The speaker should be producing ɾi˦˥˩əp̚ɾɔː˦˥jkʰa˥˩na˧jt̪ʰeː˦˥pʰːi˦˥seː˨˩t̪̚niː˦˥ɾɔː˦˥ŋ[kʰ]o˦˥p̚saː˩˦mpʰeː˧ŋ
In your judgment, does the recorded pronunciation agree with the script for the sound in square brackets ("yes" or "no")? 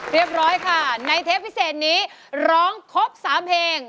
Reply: yes